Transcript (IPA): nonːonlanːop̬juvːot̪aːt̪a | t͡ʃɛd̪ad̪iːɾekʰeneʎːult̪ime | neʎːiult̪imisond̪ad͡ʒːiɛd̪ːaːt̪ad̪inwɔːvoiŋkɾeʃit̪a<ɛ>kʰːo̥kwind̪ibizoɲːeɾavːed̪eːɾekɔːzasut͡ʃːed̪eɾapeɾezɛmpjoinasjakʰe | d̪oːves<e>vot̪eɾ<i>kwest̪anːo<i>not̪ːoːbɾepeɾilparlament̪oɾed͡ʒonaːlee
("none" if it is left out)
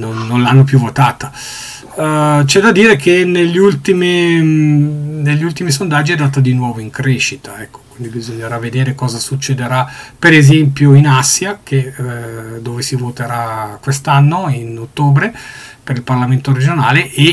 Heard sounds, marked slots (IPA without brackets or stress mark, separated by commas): ɛ, i, a, i